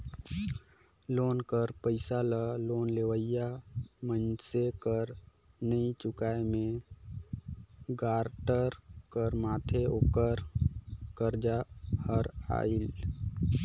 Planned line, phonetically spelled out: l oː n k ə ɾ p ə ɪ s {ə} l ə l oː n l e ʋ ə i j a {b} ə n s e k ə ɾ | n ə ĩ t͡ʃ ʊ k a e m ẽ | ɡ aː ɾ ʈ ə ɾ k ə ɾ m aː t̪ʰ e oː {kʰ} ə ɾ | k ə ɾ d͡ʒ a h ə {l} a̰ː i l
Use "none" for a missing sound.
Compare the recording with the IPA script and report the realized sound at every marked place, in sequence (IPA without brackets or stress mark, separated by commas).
a, m, k, ɾ